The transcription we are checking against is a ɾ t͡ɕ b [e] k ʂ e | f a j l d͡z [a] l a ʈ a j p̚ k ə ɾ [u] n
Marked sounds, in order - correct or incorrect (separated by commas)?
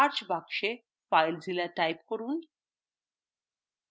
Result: incorrect, incorrect, incorrect